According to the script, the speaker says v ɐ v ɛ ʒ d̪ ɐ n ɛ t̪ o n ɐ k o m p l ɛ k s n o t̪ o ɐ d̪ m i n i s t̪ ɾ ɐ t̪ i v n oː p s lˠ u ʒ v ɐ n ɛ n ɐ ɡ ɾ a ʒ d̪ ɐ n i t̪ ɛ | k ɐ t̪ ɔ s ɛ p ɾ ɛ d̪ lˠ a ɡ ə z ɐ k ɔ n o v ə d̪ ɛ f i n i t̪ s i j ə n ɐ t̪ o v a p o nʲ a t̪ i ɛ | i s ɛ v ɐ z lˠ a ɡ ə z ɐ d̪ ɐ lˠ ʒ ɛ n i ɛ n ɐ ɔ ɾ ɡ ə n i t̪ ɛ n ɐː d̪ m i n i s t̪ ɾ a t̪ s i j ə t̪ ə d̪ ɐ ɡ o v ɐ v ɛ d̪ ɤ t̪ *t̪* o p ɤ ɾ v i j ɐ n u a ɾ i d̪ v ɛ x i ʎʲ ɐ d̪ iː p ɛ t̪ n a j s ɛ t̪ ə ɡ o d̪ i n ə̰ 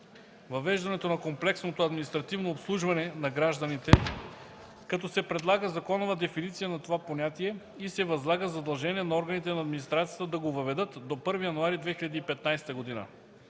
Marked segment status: incorrect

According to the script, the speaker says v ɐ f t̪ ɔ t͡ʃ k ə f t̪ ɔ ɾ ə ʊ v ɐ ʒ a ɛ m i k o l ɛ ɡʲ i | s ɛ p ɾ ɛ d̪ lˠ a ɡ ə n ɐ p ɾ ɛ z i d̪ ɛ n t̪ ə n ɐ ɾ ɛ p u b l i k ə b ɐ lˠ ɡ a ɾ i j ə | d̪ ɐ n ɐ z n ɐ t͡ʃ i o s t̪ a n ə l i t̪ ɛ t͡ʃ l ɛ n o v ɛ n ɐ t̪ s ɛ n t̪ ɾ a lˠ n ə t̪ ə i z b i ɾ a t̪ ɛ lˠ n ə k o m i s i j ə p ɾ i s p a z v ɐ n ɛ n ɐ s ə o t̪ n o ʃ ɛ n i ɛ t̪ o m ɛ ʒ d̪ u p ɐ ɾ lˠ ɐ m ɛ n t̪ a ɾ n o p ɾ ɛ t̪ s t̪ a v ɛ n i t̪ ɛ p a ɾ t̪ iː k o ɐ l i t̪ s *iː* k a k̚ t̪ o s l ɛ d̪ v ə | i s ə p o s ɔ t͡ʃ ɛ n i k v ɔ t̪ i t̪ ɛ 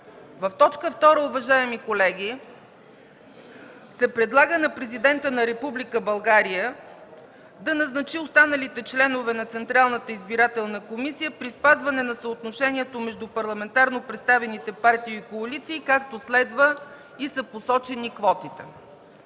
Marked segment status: correct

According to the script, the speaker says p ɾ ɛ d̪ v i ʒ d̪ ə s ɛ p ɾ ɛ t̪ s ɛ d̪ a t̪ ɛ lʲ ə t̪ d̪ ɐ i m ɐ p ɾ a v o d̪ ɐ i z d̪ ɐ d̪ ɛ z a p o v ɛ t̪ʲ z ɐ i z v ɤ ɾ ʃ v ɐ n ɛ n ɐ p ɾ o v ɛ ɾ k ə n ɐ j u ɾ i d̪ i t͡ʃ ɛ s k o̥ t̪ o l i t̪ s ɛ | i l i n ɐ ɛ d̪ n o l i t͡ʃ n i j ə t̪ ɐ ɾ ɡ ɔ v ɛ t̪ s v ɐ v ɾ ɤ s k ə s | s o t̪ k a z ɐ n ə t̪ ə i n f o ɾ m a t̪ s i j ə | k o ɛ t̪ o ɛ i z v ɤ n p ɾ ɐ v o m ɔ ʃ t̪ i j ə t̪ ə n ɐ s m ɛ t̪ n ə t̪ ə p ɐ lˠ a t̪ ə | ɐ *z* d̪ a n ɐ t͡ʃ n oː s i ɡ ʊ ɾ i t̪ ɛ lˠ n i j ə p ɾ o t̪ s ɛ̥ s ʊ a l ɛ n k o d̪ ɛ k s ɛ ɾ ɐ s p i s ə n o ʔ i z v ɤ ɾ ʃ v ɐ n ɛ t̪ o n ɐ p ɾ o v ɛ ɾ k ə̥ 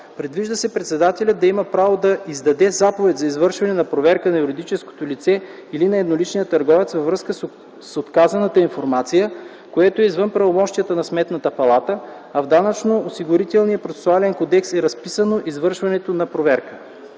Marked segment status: incorrect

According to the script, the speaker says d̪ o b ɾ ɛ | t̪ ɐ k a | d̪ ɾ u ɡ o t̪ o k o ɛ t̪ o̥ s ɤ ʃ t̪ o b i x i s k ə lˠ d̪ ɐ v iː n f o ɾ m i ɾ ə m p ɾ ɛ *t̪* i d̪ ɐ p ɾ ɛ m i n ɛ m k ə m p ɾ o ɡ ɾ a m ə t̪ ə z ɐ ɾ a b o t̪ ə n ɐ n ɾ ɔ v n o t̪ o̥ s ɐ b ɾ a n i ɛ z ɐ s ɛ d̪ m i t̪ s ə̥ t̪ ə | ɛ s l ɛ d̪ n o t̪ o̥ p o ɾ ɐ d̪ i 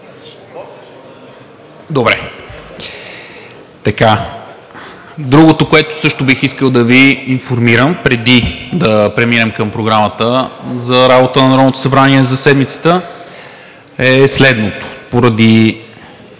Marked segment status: incorrect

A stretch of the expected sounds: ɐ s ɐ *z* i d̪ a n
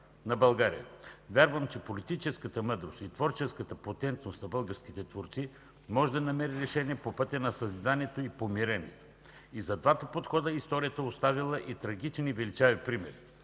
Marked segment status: correct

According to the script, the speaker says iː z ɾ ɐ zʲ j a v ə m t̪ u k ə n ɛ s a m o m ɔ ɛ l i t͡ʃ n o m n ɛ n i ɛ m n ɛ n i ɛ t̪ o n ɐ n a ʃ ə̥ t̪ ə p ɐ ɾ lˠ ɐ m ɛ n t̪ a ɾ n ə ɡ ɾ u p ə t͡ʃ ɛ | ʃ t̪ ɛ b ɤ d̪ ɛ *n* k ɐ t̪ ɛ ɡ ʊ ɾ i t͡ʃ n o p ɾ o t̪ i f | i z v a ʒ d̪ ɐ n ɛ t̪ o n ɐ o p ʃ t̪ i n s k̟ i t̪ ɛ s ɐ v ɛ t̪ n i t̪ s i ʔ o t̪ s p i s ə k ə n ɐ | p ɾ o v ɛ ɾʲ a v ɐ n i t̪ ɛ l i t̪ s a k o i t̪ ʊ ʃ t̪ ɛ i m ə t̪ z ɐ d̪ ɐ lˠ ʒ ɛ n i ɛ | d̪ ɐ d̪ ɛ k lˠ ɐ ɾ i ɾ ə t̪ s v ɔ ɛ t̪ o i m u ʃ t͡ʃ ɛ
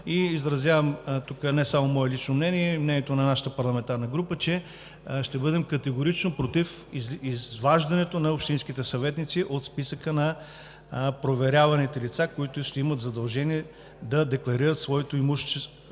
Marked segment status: incorrect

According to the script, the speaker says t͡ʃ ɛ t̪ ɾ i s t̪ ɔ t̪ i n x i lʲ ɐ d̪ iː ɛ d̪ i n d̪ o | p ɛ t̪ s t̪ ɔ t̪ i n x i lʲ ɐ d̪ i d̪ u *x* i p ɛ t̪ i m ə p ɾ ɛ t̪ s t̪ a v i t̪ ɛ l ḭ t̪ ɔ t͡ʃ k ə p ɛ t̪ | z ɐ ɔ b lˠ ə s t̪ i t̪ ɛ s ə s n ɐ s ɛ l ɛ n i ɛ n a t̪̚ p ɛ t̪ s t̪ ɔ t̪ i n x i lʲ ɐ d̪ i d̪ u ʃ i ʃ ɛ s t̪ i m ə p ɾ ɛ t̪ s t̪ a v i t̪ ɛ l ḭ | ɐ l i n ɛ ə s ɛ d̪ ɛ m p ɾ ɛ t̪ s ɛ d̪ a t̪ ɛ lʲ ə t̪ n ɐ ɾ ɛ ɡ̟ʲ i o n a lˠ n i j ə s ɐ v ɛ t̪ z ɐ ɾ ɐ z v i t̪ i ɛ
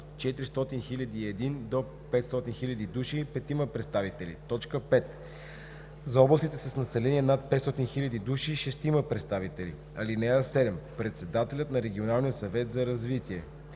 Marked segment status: incorrect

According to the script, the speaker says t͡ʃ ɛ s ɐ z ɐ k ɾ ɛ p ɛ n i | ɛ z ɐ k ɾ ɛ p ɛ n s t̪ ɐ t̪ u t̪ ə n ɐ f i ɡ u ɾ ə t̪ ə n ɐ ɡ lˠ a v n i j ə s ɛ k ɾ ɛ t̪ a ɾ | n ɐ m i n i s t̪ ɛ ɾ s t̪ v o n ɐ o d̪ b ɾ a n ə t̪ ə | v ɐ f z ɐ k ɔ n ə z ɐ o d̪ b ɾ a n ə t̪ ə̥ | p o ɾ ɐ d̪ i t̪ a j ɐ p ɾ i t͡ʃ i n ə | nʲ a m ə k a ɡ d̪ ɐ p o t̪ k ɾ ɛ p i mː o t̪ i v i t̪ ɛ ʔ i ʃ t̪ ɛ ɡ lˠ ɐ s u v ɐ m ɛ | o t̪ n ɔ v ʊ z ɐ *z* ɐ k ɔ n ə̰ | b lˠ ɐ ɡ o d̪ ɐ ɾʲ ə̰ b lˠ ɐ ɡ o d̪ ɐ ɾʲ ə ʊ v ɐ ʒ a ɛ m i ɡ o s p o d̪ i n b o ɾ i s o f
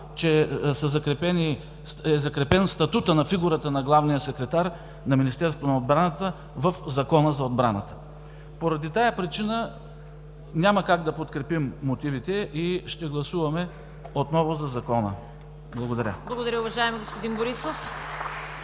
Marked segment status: correct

